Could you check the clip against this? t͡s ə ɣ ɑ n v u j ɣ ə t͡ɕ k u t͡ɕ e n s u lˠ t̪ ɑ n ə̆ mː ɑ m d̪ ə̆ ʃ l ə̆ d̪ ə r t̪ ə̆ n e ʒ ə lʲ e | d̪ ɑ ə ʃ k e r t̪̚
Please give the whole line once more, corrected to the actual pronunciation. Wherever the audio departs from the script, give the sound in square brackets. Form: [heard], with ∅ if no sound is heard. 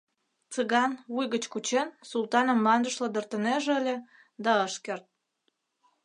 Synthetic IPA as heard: t͡s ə ɣ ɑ n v u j ɣ ə t͡ɕ k u t͡ɕ e n s u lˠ t̪ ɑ n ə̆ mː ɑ [n] d̪ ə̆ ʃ l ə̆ d̪ ə r t̪ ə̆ n e ʒ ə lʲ e | d̪ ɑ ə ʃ k e r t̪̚